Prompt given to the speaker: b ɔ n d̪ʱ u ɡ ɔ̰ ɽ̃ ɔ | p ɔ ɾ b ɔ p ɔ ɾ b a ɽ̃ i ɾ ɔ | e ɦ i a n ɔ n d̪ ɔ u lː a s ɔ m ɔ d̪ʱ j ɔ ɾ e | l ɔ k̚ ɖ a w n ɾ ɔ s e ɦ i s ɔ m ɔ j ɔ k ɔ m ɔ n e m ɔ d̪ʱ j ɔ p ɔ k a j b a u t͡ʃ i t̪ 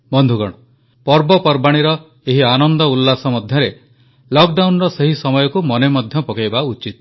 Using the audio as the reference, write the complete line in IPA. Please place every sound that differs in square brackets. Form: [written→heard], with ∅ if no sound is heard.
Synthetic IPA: b ɔ n d̪ʱ u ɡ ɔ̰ ɽ̃ ɔ | p ɔ ɾ b ɔ p ɔ ɾ b a ɽ̃ i ɾ ɔ | e ɦ i a n ɔ n d̪ ɔ u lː a s ɔ m ɔ d̪ʱ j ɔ ɾ e | l ɔ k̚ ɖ a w n ɾ ɔ s e ɦ i s ɔ m ɔ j ɔ k [ɔ→u] m ɔ n e m ɔ d̪ʱ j ɔ p ɔ k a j b a u t͡ʃ i t̪